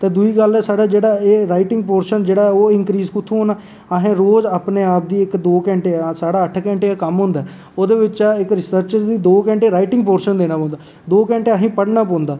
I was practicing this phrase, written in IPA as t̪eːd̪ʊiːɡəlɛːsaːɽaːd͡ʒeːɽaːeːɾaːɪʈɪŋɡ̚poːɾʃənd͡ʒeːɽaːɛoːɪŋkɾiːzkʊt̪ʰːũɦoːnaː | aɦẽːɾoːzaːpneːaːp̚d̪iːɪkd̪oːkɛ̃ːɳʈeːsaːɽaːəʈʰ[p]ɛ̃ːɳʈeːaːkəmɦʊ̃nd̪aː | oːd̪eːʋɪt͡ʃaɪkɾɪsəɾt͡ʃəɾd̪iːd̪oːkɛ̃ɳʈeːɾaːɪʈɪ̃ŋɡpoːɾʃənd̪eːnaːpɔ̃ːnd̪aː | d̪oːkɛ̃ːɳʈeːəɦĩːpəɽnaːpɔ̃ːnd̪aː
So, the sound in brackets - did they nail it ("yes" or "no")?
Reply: no